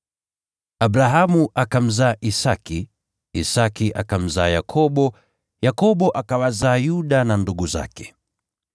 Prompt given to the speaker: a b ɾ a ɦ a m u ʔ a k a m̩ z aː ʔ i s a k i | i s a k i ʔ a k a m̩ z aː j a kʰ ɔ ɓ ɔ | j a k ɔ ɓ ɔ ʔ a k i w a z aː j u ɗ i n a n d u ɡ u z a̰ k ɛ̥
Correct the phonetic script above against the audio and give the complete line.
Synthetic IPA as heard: a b ɾ a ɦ a m u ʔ a k a m̩ z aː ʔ i s a k i | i s a k i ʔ a k a m̩ z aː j a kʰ ɔ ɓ ɔ | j a k ɔ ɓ ɔ ʔ a k a w a z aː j u ɗ a n a n d u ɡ u z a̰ k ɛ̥

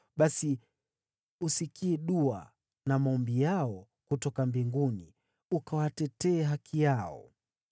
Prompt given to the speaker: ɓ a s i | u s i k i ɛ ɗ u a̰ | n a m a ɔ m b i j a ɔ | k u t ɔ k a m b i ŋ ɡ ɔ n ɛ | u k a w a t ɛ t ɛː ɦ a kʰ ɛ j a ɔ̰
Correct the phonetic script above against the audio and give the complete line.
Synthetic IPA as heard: ɓ a s i | u s i k i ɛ ɗ u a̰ | n a m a ɔ m b i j a ɔ | k u t ɔ k a m b i ŋ ɡ u n i | u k a w a t ɛ t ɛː ɦ a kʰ i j a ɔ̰

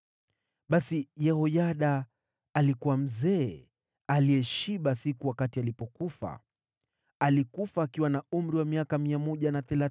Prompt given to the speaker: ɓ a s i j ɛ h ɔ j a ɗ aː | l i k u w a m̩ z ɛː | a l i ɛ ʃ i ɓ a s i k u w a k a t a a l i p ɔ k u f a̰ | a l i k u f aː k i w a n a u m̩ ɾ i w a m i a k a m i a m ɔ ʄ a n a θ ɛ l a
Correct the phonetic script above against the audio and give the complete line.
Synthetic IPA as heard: ɓ a s i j ɛ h ɔ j a ɗ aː | l i k u w a m̩ z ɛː | a l i ɛ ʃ i ɓ a s i k u w a k a t i a l i p ɔ k u f a̰ | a l i k u f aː k i w a n a u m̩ ɾ i w a m i a k a m i a m ɔ ʄ a n a θ ɛ l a

